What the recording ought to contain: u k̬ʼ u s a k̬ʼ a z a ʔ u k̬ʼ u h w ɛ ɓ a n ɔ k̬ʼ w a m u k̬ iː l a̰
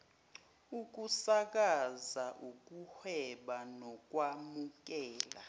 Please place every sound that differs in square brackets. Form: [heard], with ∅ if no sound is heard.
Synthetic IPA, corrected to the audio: u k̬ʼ u s a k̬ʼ a z a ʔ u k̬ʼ u h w ɛ ɓ a n ɔ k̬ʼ w a m u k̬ [ɛː] l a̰